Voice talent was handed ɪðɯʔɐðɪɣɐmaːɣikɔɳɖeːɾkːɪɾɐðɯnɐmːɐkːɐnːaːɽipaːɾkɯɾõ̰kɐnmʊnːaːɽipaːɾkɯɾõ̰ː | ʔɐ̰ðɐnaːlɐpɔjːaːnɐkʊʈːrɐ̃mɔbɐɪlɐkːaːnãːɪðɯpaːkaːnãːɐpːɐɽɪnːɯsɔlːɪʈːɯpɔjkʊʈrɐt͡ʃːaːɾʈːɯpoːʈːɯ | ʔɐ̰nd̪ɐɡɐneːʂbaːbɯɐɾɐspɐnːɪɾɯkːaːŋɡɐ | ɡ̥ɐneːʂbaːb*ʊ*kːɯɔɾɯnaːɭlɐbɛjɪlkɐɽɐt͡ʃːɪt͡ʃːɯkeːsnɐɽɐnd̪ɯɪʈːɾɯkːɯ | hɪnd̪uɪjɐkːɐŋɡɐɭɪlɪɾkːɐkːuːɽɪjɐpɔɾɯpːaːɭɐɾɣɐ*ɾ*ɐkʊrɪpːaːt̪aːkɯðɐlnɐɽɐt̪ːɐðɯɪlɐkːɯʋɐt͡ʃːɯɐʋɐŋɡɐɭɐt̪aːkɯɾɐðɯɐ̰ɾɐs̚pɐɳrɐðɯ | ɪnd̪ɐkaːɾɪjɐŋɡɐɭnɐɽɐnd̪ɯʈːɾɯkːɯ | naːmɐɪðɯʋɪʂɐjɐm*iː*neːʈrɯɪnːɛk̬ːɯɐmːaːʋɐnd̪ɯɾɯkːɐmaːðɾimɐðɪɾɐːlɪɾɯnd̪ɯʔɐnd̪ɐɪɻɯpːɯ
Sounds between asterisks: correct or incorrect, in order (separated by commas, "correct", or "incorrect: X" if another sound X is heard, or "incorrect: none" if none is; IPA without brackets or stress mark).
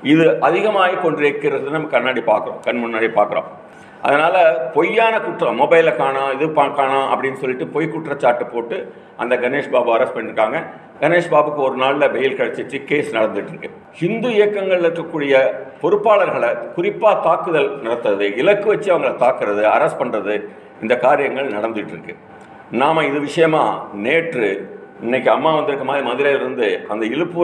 incorrect: ɯ, incorrect: ɭ, incorrect: aː